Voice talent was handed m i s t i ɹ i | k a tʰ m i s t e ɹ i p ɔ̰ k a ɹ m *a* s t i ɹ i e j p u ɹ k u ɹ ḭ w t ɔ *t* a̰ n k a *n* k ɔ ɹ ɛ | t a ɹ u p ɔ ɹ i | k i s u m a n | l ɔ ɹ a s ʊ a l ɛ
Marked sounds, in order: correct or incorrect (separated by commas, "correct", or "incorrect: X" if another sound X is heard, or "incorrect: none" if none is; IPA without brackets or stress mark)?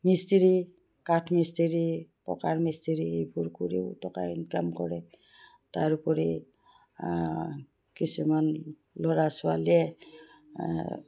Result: incorrect: i, incorrect: k, incorrect: m